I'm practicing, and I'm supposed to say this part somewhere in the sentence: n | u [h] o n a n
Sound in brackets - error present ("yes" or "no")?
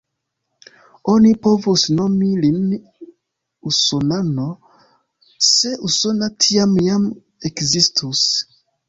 yes